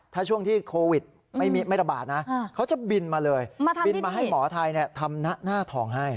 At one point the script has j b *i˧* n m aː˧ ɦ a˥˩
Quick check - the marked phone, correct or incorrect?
correct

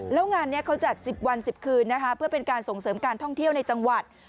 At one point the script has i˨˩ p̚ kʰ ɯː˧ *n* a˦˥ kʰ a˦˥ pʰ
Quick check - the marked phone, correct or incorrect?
incorrect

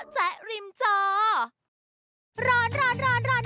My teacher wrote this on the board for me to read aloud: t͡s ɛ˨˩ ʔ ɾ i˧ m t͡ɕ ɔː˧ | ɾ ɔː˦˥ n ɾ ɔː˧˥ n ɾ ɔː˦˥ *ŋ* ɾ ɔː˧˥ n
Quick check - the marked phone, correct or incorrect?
incorrect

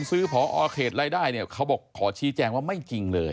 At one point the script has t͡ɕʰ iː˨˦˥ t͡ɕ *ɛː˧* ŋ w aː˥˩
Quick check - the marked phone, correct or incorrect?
correct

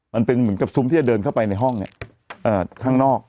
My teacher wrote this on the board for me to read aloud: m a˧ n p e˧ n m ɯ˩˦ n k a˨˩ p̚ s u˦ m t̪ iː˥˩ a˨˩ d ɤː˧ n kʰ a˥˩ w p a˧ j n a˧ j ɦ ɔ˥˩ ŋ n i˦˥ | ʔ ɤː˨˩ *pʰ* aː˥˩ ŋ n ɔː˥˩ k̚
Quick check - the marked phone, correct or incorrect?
incorrect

